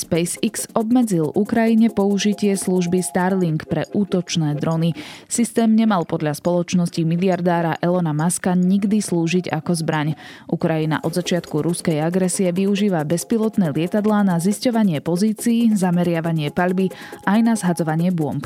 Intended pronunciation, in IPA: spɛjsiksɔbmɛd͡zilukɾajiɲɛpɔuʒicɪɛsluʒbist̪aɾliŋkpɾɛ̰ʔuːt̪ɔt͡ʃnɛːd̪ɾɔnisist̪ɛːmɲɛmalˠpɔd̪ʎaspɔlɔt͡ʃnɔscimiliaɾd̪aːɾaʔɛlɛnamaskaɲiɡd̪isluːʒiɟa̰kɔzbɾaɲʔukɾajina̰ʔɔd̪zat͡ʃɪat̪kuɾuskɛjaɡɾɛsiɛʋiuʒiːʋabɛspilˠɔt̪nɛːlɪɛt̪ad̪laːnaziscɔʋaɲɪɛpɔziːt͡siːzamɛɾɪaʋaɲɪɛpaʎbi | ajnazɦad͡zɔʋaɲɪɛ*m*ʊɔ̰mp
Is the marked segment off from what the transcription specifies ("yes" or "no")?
yes